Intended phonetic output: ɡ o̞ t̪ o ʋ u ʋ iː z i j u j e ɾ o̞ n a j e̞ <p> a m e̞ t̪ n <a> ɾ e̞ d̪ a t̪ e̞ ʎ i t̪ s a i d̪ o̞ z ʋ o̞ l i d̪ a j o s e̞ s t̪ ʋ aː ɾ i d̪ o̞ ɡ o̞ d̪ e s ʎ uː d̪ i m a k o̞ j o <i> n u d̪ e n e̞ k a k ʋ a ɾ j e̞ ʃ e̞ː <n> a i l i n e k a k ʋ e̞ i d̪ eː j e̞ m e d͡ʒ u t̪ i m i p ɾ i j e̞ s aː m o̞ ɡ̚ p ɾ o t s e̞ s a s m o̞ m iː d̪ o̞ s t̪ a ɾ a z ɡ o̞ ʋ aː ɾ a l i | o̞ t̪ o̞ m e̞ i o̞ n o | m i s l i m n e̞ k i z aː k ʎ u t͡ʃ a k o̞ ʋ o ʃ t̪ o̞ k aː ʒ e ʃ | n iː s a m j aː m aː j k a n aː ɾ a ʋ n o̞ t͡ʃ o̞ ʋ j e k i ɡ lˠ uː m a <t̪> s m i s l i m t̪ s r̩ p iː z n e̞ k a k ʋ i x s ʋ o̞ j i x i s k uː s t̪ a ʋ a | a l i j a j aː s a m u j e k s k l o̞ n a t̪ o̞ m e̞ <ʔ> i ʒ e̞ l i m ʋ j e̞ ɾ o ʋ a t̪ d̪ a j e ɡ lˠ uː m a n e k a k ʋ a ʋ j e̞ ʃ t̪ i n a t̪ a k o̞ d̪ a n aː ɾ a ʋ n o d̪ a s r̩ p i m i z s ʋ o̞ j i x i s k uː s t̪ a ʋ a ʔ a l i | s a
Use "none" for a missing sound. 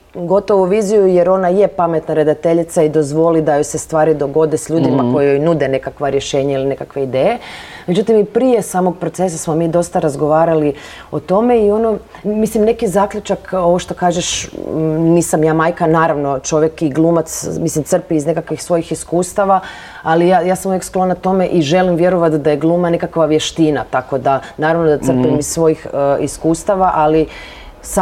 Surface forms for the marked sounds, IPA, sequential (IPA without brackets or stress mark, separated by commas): p, a, j, ɲ, t̪, ʔ